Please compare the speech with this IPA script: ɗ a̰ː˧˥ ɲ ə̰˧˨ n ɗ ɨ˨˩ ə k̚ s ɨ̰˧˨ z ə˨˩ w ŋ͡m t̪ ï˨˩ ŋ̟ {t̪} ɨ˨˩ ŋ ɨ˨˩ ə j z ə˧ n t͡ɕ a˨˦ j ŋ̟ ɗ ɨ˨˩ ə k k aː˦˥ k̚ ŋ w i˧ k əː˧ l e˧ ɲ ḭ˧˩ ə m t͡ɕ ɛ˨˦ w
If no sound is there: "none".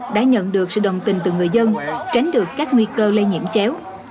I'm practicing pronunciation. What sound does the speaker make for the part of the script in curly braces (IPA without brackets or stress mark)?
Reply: t̪